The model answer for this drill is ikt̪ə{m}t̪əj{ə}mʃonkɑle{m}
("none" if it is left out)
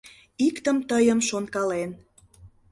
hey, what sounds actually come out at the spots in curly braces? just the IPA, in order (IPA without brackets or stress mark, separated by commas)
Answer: m, ə, n